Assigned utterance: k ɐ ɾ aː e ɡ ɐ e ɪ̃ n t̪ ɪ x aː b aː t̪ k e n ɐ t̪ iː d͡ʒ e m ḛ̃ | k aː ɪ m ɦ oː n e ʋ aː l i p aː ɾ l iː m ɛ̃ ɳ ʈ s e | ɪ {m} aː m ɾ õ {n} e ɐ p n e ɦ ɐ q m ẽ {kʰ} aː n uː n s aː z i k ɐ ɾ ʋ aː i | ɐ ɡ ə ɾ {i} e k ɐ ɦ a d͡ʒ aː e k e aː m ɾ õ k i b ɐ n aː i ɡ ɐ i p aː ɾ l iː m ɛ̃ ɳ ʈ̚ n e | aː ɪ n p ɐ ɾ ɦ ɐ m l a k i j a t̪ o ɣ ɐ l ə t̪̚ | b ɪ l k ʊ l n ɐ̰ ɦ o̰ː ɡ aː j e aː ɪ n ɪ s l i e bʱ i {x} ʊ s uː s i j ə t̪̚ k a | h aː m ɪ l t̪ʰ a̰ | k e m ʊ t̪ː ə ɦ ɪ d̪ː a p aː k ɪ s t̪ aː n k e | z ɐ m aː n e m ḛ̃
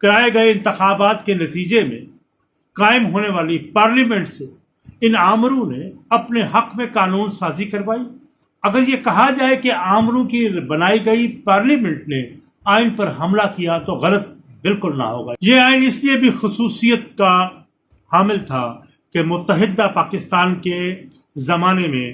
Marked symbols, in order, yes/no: no, yes, no, no, yes

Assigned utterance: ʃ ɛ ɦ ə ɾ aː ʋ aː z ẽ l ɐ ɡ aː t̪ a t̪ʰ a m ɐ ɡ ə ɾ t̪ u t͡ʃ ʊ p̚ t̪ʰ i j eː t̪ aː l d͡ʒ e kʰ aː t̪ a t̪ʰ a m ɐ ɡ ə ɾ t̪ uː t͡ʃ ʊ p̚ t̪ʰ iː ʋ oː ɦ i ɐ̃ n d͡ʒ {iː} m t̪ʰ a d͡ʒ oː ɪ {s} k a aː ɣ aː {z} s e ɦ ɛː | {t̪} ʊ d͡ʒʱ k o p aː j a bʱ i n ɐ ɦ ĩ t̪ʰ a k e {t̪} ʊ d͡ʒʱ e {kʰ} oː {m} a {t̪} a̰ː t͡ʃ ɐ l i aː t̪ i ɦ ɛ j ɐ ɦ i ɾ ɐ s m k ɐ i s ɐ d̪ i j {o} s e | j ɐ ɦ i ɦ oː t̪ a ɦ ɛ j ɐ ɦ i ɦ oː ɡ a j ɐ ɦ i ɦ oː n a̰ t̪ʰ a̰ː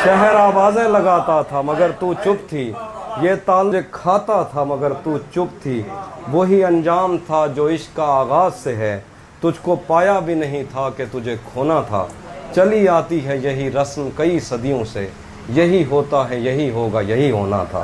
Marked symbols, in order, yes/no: no, no, yes, yes, yes, yes, no, no, no

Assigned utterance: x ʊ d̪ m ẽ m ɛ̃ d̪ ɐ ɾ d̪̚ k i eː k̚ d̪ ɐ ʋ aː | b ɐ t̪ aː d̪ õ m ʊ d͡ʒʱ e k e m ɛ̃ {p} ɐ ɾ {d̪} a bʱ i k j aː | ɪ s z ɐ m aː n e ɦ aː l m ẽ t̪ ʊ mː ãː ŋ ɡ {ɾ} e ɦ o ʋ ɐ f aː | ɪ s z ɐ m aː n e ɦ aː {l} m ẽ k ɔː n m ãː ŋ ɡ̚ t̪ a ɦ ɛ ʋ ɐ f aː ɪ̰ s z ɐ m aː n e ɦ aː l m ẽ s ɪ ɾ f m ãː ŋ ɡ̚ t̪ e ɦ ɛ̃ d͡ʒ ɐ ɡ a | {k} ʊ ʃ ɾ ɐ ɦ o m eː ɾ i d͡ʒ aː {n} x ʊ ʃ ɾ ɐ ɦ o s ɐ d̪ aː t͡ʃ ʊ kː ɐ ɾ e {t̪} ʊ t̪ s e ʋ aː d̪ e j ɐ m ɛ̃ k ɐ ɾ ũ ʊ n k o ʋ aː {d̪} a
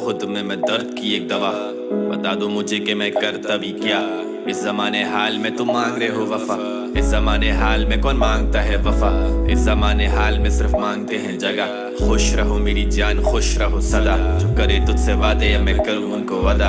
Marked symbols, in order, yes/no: no, no, yes, yes, no, yes, yes, yes

